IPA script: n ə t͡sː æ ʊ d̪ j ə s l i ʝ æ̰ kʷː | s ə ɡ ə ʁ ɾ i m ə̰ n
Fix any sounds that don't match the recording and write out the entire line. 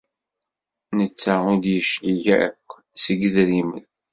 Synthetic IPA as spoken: n ə t͡sː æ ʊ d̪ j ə ʃ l i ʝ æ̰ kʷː | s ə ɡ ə ð ɾ i m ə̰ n